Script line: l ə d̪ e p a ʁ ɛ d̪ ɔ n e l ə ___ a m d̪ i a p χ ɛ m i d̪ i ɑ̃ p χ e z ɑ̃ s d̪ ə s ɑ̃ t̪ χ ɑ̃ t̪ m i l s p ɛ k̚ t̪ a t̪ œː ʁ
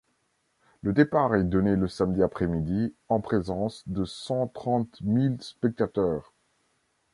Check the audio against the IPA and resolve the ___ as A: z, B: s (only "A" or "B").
B